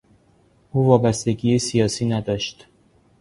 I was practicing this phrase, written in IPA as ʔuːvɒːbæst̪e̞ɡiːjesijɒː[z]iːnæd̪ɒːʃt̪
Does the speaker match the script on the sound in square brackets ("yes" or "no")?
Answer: no